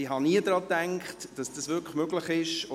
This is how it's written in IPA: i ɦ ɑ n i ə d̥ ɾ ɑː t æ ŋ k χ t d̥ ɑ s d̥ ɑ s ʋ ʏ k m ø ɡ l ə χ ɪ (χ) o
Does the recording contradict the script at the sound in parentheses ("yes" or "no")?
yes